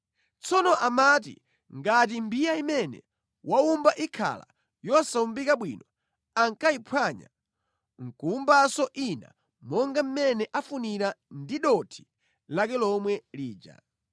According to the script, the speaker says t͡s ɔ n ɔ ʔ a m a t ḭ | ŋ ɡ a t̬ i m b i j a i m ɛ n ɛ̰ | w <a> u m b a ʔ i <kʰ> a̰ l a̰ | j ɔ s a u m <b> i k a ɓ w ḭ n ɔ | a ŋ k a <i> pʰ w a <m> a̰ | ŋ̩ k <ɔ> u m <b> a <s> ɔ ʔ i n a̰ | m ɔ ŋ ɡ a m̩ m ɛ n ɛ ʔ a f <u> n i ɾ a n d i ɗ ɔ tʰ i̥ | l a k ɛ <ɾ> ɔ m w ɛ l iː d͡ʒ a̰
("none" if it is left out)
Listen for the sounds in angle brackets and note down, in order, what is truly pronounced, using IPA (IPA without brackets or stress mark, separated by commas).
a, kʰ, b, i, ɲ, u, b, s, u, l